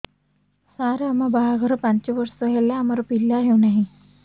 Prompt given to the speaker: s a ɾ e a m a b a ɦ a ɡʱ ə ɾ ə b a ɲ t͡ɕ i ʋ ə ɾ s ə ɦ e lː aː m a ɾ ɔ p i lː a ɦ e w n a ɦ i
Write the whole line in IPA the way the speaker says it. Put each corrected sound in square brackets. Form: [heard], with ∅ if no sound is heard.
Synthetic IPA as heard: s a ɾ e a m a b a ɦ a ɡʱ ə ɾ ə [p] a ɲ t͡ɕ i ʋ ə ɾ s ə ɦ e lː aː m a ɾ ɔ p i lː a ɦ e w n a ɦ i

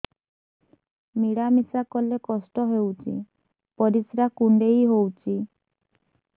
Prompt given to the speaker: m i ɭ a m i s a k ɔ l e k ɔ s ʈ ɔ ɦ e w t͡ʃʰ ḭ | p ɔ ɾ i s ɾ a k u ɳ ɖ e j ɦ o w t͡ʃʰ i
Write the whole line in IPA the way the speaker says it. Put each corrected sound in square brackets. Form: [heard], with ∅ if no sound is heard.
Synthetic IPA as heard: m i [ɽ] a m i s a k ɔ l e k ɔ s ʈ ɔ ɦ e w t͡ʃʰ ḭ | p ɔ ɾ i s ɾ a k u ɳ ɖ e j ɦ o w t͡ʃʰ i

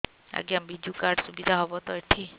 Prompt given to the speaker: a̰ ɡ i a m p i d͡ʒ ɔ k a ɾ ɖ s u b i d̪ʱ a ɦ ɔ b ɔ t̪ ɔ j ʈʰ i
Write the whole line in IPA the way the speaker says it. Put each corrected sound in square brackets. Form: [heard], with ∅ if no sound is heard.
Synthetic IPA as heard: a̰ ɡ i a m [b] i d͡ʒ [u] k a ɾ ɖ s u b i d̪ʱ a ɦ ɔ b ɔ t̪ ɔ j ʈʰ i

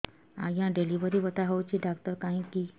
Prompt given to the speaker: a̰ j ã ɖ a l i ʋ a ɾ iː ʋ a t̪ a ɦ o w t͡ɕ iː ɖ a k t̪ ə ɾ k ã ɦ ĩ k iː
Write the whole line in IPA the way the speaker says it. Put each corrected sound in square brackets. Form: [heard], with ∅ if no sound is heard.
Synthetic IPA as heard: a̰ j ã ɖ [e] l i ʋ [ə] ɾ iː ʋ [ə] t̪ a ɦ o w t͡ɕ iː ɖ a k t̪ ə ɾ k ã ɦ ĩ k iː

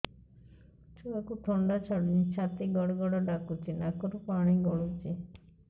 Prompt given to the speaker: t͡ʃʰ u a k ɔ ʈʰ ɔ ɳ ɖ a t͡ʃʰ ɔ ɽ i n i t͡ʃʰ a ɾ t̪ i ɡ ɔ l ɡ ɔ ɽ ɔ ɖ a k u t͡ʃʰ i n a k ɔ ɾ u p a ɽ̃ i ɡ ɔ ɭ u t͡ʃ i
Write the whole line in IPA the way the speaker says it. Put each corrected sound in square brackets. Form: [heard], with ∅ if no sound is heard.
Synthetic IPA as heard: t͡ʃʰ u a k [u] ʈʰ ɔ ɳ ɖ a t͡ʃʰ ɔ ɽ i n i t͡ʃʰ a [∅] t̪ i ɡ ɔ [ɽ] ɡ ɔ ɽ ɔ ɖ a k u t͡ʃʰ i n a k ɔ ɾ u p a ɽ̃ i ɡ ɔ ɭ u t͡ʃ i

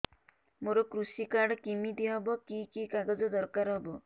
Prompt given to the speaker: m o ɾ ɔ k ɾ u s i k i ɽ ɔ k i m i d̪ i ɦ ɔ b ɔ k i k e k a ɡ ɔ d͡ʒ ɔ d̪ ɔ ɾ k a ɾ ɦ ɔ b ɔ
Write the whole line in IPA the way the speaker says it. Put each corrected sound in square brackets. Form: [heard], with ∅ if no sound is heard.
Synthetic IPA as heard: m o ɾ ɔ k ɾ u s i k [a] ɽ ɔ k i m i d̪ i ɦ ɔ b ɔ k i k [i] k a ɡ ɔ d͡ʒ ɔ d̪ ɔ ɾ k a ɾ ɦ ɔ b ɔ

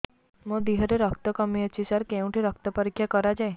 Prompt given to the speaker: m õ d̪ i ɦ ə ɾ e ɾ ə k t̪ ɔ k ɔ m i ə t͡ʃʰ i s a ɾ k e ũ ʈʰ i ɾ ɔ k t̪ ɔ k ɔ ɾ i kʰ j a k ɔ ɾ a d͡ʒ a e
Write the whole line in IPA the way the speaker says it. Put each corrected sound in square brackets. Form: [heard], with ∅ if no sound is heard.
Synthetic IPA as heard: m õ d̪ i ɦ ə ɾ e ɾ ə k t̪ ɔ k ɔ m i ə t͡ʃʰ i s a ɾ k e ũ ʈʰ i ɾ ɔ k t̪ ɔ [p] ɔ ɾ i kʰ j a k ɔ ɾ a d͡ʒ a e

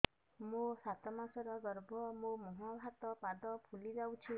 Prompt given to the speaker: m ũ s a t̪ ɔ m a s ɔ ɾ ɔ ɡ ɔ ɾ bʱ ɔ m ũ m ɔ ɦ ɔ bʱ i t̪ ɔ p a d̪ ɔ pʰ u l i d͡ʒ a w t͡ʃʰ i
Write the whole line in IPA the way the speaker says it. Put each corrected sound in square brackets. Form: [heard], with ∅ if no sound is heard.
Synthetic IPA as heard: m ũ s a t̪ ɔ m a s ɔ ɾ ɔ ɡ ɔ ɾ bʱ ɔ m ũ m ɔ ɦ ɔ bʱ [a] t̪ ɔ p a d̪ ɔ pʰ u l i d͡ʒ a w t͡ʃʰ i

